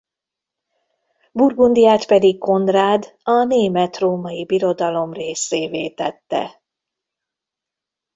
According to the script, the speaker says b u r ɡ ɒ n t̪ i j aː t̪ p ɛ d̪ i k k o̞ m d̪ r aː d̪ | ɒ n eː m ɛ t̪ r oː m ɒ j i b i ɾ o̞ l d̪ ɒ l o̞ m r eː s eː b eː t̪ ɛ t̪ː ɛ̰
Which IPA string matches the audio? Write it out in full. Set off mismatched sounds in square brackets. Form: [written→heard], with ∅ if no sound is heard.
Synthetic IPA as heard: b u r ɡ [ɒ→u] n [t̪→d̪] i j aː t̪ p ɛ d̪ i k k o̞ [m→n] d̪ r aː d̪ | ɒ n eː m ɛ t̪ r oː m ɒ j i b i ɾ o̞ [l→∅] d̪ ɒ l o̞ m r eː s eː [b→v] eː t̪ ɛ t̪ː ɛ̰

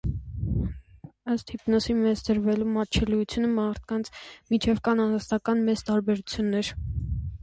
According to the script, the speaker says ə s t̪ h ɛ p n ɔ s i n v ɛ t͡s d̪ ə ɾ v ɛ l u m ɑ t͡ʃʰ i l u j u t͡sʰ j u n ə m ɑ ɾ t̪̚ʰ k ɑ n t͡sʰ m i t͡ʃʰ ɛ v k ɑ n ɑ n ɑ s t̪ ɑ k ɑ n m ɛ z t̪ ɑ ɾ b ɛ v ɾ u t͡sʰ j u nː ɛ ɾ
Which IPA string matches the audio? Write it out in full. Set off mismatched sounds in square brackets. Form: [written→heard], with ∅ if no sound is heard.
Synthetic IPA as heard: ə s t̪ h [ɛ→i] p n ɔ s i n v ɛ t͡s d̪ ə ɾ v ɛ l u m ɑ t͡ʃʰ [i→ɛ] l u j u t͡sʰ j u n ə m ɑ ɾ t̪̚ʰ k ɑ n t͡sʰ m i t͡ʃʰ ɛ v k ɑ n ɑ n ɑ s t̪ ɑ k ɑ n m ɛ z t̪ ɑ ɾ b ɛ [v→∅] ɾ u t͡sʰ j u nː ɛ ɾ

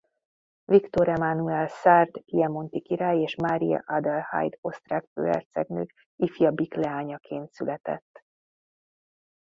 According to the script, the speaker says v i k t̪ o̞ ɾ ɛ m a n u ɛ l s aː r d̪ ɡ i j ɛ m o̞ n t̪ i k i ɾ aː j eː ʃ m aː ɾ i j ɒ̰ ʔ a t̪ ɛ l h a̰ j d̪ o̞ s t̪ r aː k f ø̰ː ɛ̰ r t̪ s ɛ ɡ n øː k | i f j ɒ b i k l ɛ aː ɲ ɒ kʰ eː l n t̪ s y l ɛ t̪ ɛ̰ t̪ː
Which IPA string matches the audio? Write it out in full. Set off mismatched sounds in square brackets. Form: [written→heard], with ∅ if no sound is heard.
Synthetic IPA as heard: v i k t̪ o̞ ɾ ɛ m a n u ɛ l s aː r d̪ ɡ i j ɛ m o̞ n t̪ i k i ɾ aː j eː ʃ m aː ɾ i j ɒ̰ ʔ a [t̪→d̪] ɛ l h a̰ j d̪ o̞ s t̪ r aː k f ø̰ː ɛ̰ r t̪ s ɛ ɡ n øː k | i f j ɒ b i k l ɛ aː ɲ ɒ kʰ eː [l→∅] n t̪ s y l ɛ t̪ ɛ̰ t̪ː

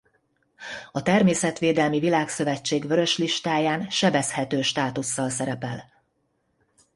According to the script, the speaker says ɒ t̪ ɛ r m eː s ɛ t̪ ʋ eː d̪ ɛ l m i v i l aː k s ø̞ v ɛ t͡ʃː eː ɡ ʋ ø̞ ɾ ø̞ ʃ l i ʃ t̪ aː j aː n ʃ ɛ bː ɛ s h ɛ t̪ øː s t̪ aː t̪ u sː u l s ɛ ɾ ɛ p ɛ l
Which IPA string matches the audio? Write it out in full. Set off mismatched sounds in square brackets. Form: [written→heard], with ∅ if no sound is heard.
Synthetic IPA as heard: ɒ t̪ ɛ r m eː s ɛ t̪ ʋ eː d̪ ɛ l m i v i l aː k s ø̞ v ɛ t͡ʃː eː ɡ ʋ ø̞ ɾ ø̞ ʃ l i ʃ t̪ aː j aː n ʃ ɛ [bː→b] ɛ s h ɛ t̪ øː [s→ʃ] t̪ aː t̪ u sː [u→ɒ] l s ɛ ɾ ɛ p ɛ l

